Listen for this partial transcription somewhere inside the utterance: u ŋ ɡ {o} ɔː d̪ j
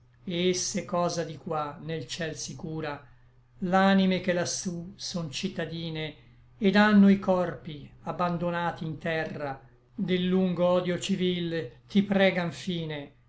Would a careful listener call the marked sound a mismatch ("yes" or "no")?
no